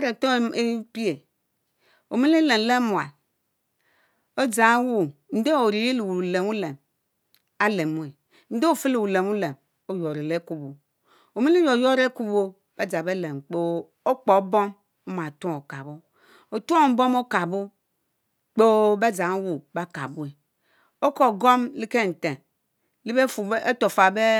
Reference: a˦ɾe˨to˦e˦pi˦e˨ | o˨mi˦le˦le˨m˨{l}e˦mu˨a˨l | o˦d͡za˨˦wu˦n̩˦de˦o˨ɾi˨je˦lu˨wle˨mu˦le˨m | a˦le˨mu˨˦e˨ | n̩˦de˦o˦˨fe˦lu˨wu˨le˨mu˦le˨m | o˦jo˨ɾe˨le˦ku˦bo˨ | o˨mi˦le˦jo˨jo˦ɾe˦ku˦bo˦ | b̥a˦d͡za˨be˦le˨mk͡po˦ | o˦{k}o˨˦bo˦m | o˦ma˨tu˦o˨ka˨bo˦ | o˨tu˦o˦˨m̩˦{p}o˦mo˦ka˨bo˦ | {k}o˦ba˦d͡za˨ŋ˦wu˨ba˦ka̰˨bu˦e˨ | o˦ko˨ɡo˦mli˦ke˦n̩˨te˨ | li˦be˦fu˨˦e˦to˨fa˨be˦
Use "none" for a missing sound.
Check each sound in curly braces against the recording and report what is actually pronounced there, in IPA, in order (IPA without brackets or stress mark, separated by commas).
l, k͡p, b, k͡p